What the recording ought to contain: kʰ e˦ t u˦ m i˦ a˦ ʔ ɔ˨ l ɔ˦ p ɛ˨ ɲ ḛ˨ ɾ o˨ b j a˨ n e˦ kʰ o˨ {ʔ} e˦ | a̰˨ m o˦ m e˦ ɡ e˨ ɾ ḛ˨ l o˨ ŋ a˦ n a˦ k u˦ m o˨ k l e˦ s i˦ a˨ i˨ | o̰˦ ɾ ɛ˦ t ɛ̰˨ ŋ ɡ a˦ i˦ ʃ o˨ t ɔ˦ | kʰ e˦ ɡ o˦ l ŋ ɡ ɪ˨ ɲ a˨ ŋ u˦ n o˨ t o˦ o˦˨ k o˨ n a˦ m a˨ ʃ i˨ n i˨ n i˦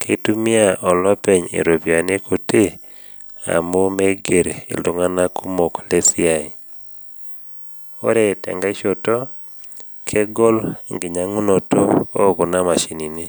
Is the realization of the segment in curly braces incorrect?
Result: yes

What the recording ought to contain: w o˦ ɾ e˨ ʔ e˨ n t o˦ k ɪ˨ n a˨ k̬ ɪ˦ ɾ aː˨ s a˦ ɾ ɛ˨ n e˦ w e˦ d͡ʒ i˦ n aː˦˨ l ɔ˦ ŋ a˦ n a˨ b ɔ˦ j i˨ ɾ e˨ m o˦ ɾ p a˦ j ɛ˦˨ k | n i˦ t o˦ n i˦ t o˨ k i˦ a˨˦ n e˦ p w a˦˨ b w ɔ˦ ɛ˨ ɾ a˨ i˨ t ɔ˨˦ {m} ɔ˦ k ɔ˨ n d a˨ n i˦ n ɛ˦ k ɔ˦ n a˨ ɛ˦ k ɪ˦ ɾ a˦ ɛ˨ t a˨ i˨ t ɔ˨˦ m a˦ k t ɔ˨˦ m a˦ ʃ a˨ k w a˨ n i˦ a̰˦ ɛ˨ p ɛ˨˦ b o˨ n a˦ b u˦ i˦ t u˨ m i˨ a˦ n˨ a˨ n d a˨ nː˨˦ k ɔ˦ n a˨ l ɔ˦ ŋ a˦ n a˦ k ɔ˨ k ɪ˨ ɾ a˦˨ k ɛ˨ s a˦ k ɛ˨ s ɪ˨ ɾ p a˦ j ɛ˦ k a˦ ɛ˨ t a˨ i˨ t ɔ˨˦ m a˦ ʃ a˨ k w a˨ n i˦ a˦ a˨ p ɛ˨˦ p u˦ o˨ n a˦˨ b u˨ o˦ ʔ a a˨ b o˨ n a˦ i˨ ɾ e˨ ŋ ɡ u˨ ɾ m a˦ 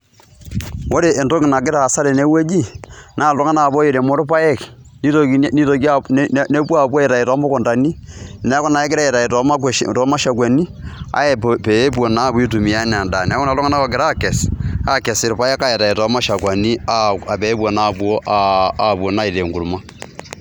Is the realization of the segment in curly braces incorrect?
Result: no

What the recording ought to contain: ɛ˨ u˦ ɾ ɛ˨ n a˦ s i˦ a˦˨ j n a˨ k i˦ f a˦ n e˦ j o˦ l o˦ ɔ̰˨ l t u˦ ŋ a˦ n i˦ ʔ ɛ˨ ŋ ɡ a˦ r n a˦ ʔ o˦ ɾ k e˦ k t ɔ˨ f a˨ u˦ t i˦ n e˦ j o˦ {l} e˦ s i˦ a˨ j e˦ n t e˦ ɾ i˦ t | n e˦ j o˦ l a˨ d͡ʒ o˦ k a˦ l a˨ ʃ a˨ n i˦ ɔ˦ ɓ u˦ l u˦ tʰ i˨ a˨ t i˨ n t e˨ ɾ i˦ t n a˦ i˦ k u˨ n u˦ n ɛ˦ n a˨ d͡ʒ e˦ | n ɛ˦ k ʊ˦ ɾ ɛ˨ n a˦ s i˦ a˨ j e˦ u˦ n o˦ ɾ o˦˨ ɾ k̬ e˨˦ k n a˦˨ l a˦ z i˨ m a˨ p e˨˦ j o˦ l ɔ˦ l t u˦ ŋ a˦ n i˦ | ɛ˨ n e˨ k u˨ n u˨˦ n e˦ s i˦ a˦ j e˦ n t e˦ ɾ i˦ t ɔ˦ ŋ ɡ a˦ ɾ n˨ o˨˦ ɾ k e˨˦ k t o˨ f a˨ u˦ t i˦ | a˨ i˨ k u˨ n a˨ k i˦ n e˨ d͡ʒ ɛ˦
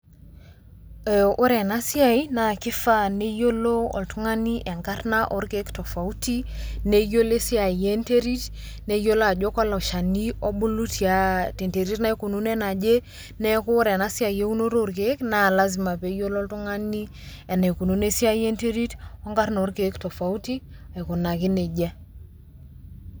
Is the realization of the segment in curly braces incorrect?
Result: no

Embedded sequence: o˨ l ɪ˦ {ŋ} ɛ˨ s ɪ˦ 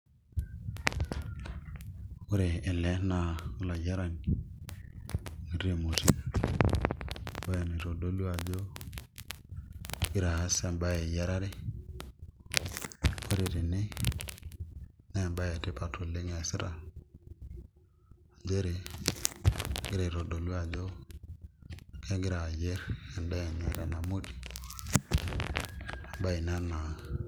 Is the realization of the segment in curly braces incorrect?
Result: no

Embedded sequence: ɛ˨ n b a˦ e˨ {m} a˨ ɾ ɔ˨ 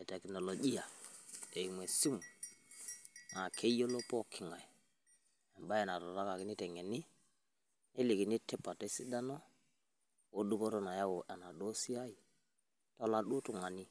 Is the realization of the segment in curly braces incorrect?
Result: yes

